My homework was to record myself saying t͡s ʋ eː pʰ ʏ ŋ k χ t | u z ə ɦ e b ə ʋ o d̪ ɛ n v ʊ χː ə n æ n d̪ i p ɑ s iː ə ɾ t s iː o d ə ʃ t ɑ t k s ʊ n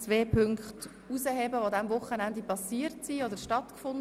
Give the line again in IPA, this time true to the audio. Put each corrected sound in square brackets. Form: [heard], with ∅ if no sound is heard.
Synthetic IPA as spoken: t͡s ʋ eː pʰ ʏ ŋ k χ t | u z ə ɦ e b ə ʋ o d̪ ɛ [m] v ʊ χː ə n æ n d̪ i p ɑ s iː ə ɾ t s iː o d ə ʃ t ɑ t k [f] ʊ n